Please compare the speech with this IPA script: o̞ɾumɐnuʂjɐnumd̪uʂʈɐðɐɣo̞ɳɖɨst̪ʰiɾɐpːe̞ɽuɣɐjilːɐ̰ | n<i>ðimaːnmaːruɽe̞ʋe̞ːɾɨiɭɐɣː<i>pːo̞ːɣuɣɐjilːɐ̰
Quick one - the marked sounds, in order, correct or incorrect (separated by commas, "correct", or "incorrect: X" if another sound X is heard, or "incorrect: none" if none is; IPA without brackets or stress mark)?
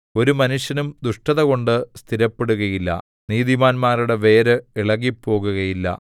incorrect: iː, correct